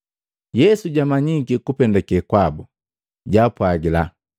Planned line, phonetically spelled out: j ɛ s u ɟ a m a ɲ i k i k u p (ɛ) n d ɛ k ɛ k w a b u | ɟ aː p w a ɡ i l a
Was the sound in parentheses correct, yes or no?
yes